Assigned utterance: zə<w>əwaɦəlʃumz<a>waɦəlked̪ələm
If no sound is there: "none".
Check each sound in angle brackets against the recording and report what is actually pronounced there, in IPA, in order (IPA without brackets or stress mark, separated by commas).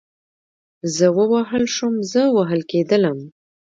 w, ə